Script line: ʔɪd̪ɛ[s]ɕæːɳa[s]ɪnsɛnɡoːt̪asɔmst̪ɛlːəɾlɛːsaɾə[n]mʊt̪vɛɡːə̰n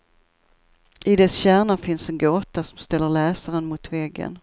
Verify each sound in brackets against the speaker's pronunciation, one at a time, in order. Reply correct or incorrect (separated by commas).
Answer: correct, incorrect, correct